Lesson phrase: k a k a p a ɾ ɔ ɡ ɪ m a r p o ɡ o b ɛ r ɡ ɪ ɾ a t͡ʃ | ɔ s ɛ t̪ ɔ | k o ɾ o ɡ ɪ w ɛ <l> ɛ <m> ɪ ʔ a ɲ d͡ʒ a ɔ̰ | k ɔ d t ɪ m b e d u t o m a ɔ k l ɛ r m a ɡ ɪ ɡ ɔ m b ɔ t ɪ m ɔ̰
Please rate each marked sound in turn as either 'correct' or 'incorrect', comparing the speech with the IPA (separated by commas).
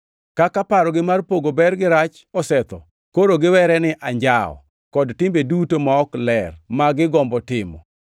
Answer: incorrect, incorrect